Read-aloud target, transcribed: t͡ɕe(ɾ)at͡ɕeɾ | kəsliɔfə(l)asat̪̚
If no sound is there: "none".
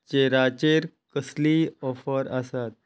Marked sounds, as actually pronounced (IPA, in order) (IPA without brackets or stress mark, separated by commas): ɾ, ɾ